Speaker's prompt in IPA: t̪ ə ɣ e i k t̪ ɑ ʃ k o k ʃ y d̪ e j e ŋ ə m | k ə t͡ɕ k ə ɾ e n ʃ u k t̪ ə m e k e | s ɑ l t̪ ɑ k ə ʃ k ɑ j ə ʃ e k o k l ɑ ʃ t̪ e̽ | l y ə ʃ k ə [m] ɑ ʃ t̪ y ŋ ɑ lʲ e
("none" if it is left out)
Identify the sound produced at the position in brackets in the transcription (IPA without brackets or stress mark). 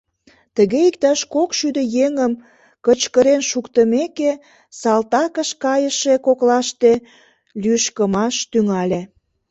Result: m